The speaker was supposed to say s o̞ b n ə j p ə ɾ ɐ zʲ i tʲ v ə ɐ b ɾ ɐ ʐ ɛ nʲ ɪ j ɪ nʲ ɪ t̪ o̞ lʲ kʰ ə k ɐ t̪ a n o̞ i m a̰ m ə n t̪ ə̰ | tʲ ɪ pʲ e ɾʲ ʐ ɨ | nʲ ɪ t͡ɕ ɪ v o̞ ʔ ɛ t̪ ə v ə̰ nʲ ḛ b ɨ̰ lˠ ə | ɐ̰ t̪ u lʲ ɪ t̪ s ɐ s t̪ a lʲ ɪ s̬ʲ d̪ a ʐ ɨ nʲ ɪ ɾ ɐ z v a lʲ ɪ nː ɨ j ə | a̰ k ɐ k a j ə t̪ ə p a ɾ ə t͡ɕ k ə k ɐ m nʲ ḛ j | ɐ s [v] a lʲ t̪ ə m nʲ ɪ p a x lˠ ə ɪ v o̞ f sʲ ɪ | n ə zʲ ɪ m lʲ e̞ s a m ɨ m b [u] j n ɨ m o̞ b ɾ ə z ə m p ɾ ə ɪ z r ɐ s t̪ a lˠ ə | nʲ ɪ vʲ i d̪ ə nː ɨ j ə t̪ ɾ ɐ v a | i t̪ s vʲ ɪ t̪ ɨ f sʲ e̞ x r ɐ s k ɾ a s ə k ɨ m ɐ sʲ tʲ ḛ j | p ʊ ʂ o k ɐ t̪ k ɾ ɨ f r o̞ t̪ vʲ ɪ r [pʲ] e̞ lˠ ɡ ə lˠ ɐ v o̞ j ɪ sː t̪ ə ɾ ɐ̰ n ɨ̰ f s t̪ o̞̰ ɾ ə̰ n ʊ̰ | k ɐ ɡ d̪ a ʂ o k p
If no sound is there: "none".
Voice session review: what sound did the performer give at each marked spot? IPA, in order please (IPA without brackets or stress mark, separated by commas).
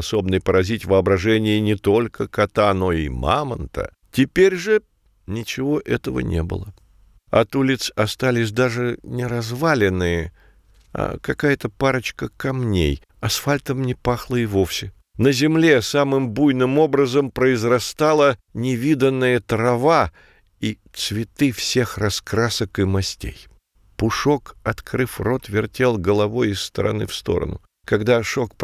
f, u, tʲ